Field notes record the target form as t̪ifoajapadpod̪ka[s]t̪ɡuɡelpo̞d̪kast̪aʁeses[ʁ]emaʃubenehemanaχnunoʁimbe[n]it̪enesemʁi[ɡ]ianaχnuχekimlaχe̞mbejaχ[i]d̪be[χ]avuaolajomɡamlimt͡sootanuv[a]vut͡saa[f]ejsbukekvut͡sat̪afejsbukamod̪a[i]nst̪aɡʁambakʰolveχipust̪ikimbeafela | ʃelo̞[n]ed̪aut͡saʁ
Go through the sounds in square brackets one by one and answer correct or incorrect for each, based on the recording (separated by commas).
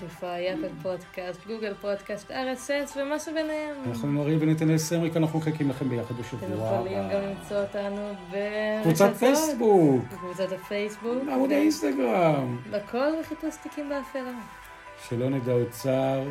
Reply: correct, incorrect, correct, incorrect, incorrect, incorrect, incorrect, correct, correct, correct